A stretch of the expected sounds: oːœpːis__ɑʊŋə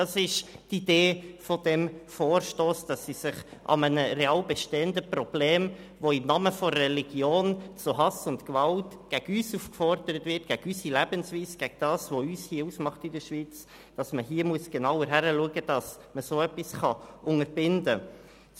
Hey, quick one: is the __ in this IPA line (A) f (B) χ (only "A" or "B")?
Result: B